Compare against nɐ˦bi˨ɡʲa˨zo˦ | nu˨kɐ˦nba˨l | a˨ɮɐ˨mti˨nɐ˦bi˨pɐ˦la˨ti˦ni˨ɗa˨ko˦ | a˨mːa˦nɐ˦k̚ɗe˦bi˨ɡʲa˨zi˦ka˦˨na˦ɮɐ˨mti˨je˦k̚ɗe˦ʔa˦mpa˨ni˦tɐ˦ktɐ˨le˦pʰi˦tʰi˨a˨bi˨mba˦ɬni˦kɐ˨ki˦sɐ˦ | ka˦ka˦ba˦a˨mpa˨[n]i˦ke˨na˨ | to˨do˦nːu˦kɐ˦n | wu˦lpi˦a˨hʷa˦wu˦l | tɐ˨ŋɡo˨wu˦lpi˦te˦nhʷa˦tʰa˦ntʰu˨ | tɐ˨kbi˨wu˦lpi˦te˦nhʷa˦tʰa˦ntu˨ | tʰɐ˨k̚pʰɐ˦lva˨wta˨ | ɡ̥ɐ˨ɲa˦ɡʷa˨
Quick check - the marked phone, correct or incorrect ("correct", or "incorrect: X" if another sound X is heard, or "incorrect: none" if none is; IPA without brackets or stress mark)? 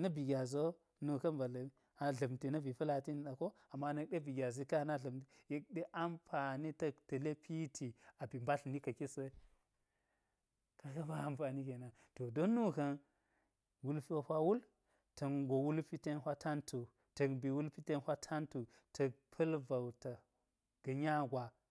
correct